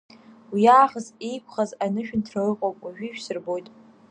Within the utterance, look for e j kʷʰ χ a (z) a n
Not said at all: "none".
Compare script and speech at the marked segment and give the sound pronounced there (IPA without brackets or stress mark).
z